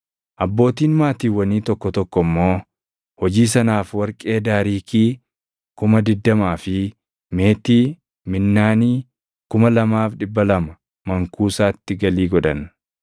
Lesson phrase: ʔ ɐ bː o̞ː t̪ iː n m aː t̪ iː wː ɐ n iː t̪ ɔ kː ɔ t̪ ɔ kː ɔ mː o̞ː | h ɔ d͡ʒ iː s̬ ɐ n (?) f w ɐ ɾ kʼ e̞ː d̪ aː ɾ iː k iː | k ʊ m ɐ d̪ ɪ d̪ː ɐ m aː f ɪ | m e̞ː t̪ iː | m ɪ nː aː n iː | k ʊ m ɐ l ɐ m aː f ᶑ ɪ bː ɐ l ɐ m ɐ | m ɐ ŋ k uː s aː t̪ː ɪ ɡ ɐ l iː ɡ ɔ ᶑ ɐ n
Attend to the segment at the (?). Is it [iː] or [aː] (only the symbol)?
aː